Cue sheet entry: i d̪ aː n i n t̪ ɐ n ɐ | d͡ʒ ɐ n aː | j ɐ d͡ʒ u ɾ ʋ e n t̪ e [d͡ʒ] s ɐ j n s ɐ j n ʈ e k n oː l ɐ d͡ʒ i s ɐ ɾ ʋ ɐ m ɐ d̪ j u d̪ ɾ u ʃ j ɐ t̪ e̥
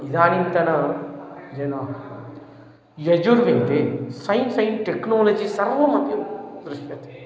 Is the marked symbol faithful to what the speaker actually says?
no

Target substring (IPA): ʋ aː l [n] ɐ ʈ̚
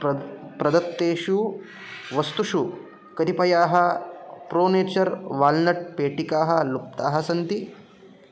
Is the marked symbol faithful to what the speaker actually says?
yes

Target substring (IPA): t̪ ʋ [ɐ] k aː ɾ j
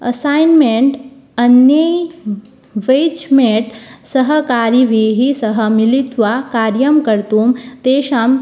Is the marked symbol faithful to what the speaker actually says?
no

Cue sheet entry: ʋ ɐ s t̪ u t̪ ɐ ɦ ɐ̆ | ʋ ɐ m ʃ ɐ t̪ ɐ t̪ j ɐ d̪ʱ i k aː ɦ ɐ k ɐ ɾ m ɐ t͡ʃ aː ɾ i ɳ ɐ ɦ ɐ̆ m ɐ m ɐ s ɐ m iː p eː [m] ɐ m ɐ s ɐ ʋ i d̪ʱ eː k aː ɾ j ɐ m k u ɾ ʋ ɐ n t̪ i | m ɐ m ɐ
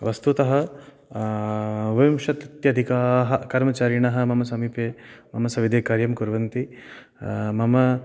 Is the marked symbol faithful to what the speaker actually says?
yes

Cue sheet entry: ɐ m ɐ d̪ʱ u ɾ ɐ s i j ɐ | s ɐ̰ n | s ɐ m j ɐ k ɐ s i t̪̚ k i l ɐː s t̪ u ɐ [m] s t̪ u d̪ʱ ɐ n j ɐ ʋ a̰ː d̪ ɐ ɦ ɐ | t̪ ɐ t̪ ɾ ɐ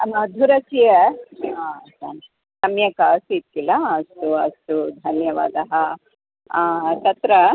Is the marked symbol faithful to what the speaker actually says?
no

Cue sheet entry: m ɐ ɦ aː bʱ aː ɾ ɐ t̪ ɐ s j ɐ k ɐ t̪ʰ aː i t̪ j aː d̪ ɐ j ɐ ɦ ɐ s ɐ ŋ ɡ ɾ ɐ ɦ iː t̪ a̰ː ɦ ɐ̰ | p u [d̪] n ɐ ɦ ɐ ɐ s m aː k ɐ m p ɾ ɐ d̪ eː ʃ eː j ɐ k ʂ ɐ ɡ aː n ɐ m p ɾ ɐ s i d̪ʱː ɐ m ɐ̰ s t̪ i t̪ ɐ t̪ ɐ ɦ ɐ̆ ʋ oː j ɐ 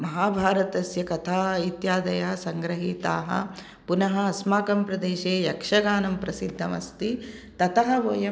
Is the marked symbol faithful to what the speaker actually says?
no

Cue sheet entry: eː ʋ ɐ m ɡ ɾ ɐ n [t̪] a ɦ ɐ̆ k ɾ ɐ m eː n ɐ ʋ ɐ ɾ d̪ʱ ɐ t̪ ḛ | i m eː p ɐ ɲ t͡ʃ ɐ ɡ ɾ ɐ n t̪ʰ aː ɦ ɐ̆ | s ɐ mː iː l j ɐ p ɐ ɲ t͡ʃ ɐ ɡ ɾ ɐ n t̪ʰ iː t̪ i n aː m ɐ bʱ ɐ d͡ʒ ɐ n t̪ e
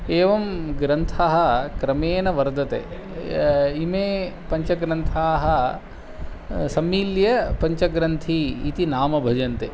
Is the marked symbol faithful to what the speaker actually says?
no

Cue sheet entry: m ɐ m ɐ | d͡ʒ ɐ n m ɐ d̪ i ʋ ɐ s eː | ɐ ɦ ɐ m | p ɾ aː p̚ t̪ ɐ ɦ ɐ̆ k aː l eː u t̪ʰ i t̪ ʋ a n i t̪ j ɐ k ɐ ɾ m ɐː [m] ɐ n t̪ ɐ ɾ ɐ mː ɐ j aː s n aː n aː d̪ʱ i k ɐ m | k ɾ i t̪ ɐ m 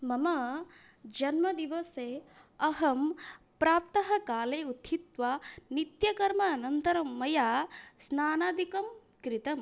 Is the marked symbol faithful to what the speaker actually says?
no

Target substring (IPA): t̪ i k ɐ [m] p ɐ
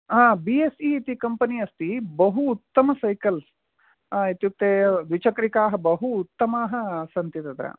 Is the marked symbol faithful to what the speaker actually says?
yes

